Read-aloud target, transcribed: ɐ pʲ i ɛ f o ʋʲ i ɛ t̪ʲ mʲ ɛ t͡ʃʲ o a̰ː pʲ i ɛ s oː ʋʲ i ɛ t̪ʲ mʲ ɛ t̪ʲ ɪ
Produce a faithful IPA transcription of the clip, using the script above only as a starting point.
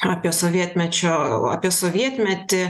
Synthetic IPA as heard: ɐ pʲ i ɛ s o ʋʲ i ɛ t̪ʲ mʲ ɛ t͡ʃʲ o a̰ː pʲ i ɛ s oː ʋʲ i ɛ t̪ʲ mʲ ɛ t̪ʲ ɪ